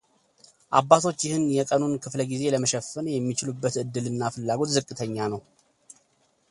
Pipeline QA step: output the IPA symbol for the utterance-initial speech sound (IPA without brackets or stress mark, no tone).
ʔ